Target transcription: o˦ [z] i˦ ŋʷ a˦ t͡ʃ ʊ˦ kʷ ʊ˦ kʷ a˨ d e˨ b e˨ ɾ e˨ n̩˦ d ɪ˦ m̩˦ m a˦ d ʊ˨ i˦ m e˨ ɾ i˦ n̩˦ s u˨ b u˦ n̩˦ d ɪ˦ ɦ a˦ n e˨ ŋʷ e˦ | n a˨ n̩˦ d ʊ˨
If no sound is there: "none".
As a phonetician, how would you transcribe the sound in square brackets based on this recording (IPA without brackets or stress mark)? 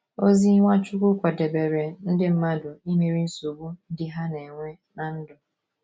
z